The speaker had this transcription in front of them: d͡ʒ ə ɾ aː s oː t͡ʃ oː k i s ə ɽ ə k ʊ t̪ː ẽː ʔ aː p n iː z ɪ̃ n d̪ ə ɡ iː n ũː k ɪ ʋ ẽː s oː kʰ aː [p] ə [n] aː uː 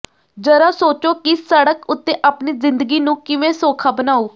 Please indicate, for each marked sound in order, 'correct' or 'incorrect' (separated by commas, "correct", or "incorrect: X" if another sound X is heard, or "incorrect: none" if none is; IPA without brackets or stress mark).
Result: incorrect: b, correct